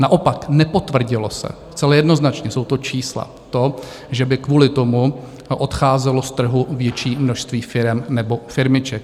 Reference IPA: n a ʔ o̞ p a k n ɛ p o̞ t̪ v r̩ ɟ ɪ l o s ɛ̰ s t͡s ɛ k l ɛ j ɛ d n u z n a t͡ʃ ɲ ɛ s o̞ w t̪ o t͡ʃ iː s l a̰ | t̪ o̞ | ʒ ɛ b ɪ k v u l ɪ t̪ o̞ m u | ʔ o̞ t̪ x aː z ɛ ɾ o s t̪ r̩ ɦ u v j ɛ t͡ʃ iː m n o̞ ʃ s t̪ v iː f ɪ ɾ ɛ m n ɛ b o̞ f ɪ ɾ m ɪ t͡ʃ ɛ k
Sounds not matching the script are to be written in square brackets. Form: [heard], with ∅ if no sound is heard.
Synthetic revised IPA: n a ʔ o̞ p a k n ɛ p o̞ t̪ v r̩ ɟ ɪ l o s ɛ̰ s t͡s ɛ [∅] l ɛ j ɛ d n [o] z n a t͡ʃ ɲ ɛ s o̞ w t̪ o t͡ʃ iː s l a̰ | t̪ o̞ | ʒ ɛ b ɪ k v [uː] l ɪ t̪ o̞ m u | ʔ o̞ t̪ x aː z ɛ [l] o s t̪ r̩ ɦ u v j ɛ t͡ʃ iː m n o̞ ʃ s t̪ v iː f ɪ ɾ ɛ m n ɛ b o̞ f ɪ ɾ m ɪ t͡ʃ ɛ k